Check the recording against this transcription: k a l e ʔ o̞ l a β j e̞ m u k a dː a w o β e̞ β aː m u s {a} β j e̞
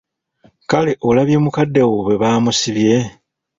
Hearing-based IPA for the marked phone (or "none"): i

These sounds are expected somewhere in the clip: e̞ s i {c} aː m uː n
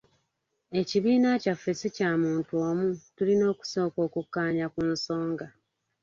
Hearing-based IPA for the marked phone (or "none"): c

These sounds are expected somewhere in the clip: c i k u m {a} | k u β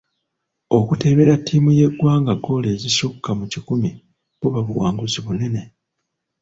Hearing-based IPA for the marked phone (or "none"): i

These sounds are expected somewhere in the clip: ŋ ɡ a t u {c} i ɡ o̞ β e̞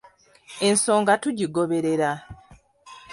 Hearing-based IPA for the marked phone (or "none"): ɟ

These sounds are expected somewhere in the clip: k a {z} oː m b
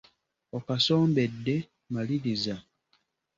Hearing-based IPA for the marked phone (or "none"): s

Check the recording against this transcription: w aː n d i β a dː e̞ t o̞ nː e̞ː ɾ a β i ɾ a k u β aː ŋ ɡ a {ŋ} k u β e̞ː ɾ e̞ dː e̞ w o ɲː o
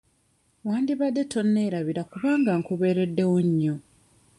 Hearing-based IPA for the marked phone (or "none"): ŋ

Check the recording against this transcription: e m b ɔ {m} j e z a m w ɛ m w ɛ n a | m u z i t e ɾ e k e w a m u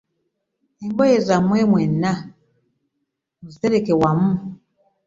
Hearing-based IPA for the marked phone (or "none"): none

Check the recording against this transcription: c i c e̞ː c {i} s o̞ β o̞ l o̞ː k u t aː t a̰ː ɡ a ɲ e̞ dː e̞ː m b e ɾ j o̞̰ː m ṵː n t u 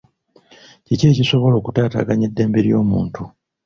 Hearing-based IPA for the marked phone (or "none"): i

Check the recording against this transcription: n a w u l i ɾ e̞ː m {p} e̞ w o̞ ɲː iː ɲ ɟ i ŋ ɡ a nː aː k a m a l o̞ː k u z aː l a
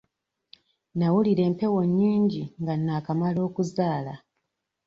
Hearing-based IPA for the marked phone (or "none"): p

